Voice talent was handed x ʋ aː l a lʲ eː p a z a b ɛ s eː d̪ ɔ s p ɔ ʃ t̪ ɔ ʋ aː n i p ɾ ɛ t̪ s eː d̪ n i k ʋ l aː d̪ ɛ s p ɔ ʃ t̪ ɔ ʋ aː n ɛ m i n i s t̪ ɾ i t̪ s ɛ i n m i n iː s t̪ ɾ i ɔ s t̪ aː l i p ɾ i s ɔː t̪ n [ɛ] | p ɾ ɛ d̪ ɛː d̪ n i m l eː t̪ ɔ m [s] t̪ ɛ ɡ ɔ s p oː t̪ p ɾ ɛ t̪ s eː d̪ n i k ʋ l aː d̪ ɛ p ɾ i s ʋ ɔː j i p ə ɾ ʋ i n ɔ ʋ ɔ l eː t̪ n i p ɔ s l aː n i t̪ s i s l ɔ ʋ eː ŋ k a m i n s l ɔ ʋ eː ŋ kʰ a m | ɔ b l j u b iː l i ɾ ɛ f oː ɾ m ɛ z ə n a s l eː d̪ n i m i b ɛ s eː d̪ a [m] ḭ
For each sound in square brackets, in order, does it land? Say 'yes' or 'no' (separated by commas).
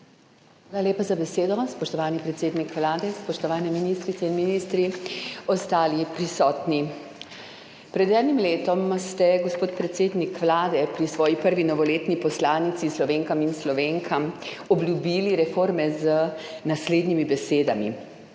no, yes, yes